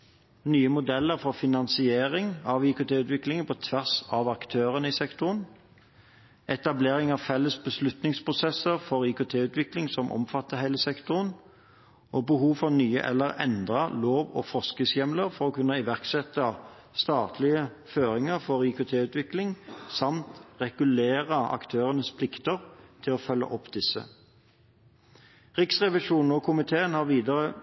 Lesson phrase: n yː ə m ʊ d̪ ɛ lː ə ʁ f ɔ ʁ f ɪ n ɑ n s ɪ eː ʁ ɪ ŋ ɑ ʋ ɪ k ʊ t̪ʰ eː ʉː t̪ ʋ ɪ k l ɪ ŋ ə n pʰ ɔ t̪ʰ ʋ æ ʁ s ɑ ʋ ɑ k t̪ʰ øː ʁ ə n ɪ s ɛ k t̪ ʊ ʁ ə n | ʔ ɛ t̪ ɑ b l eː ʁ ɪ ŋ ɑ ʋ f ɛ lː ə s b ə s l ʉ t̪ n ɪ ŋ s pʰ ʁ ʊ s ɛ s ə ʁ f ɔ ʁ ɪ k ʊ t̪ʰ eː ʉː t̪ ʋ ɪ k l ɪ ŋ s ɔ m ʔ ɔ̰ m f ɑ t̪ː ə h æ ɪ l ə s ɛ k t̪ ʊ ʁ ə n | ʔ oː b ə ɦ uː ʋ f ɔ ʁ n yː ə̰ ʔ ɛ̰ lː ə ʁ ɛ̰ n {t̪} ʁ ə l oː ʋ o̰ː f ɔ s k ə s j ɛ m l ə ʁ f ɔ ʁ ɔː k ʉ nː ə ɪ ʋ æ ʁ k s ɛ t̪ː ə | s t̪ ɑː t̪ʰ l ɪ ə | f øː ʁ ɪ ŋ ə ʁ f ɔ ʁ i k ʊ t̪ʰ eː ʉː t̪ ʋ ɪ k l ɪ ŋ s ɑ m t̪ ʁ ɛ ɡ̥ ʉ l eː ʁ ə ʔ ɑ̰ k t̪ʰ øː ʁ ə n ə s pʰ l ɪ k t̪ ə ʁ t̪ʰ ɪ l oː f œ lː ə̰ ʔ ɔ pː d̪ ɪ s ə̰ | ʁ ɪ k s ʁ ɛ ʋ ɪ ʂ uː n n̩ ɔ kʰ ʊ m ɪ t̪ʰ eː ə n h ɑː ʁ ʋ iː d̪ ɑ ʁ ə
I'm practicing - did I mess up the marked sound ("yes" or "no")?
yes